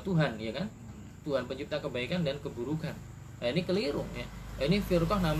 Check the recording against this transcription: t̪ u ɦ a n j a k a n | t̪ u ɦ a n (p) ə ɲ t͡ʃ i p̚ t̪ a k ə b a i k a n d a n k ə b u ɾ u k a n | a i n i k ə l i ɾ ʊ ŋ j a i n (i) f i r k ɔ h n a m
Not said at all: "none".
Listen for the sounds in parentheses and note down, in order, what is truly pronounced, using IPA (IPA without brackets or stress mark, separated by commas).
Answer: p, i